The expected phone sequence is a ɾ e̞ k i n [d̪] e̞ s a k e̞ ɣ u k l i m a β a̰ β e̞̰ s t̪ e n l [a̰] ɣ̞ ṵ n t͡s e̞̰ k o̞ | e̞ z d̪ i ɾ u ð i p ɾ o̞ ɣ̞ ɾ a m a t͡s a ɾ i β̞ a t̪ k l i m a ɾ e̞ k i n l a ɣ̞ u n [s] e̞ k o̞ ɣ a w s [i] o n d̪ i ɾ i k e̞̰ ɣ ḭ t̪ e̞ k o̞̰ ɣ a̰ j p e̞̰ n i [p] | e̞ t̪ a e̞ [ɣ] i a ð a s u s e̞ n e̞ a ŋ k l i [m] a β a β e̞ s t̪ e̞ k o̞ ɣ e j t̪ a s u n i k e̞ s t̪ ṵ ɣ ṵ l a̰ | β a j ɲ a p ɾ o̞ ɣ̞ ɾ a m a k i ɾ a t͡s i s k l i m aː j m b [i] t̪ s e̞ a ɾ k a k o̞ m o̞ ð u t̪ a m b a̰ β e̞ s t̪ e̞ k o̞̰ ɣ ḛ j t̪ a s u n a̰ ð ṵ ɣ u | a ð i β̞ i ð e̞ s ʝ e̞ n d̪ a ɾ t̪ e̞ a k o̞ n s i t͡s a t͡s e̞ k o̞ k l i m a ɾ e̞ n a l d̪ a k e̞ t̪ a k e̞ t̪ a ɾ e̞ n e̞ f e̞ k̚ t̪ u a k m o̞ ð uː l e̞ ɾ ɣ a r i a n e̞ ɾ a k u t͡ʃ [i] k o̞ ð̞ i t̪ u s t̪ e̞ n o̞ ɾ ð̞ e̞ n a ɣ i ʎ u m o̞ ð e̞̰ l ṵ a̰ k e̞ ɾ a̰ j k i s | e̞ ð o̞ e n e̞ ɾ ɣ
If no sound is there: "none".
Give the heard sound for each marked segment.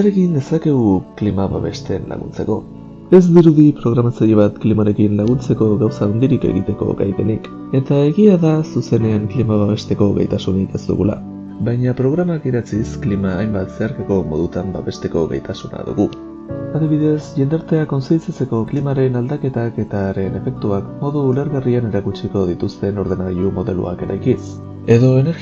d̪, a̰, t͡s, a, k, ɣ, m, a, i

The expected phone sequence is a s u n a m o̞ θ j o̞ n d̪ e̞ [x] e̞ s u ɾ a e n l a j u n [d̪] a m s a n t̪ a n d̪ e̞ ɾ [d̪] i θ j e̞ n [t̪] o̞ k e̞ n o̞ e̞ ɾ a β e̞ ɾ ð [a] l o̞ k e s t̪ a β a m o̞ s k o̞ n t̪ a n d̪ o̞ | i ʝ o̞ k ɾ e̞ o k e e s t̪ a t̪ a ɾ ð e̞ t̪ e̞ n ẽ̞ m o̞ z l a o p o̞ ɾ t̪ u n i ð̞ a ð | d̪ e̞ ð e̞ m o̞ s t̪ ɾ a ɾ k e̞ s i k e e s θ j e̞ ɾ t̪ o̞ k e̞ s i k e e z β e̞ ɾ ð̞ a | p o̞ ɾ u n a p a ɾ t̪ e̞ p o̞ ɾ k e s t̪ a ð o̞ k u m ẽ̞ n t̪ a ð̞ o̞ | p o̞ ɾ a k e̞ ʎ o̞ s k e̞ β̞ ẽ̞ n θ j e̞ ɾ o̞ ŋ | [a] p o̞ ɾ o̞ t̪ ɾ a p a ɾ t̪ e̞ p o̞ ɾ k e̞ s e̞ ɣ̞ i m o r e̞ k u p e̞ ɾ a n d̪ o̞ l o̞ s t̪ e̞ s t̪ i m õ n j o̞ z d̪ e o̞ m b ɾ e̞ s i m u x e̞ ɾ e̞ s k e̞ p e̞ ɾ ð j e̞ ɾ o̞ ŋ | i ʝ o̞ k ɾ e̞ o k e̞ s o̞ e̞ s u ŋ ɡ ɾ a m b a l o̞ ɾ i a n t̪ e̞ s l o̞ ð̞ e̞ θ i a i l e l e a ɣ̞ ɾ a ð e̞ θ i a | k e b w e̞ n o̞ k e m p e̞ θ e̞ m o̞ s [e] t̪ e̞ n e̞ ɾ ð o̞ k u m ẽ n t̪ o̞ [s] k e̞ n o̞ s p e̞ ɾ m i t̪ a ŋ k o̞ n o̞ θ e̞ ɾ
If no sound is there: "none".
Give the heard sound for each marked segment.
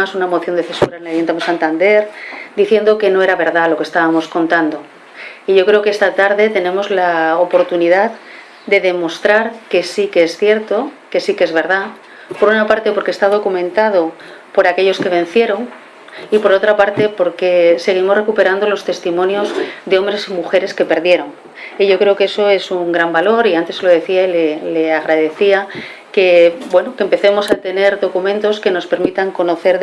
θ, t̪, d̪, d̪, a, i, a, s

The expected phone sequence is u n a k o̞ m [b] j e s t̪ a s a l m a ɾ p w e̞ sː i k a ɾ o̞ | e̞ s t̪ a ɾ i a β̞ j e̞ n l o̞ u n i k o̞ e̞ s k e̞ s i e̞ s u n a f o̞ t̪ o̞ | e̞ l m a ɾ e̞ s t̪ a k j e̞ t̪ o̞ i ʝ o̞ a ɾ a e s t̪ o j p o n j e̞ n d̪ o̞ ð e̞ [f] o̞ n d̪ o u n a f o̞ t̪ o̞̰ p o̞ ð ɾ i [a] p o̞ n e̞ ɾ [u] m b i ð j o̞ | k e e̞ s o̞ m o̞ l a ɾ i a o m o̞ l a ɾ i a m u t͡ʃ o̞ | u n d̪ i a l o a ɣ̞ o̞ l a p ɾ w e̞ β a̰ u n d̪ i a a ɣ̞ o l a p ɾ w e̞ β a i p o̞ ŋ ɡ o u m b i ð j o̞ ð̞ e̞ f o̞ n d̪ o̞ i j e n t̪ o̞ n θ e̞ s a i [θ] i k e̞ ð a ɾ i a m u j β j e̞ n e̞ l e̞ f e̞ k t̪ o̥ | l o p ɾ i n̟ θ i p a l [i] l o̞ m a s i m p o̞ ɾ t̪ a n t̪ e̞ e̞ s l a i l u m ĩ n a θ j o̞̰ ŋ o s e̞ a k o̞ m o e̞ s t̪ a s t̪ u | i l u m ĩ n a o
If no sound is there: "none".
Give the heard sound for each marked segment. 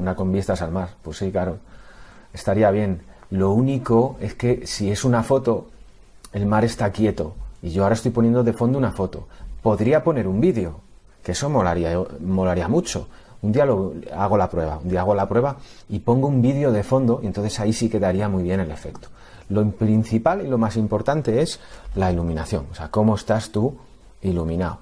b, f, a, u, s, i

